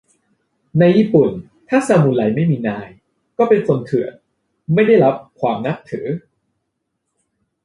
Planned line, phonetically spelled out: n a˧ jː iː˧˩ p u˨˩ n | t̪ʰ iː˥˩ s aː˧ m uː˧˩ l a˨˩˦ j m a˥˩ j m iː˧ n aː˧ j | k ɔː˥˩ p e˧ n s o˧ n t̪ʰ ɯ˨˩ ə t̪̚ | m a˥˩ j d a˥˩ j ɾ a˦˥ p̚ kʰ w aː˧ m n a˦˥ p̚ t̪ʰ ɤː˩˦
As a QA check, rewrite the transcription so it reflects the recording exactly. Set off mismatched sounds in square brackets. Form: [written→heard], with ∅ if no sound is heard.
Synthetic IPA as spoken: n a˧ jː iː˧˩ p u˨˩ n | t̪ʰ [iː˥˩→aː˥˩] s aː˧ m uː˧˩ l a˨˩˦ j m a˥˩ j m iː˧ n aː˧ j | k ɔː˥˩ p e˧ n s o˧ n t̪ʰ ɯ˨˩ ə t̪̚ | m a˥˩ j d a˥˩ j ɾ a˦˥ p̚ kʰ w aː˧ m n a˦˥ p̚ t̪ʰ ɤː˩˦